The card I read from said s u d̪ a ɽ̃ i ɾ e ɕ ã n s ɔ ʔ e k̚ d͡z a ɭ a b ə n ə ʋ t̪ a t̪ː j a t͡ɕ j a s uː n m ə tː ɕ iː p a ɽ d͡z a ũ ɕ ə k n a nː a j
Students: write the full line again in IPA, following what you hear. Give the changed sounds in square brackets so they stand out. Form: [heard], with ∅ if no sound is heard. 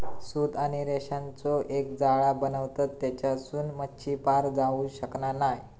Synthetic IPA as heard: s u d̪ a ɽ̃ i ɾ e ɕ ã n [t͡s] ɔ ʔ e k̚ d͡z a ɭ a b ə n ə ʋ t̪ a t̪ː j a t͡ɕ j a s uː n m ə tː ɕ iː p a [ɾ] d͡z a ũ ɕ ə k n a [n] a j